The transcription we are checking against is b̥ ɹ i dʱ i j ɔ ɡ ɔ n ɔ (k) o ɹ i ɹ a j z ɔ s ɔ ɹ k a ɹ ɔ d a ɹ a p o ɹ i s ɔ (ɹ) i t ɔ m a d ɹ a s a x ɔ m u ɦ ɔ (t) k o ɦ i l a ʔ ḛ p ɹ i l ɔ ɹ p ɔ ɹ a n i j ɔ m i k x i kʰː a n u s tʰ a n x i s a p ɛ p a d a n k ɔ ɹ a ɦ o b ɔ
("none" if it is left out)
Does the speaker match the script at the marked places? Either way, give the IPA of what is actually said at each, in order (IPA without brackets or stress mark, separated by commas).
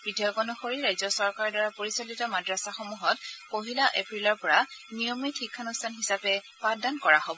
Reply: x, l, t